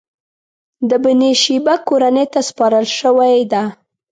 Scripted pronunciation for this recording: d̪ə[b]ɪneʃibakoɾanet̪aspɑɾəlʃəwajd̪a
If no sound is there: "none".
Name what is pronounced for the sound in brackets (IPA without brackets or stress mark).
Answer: b